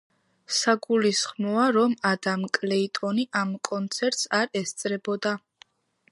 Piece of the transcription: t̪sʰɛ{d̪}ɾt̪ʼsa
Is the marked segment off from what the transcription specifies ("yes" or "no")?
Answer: yes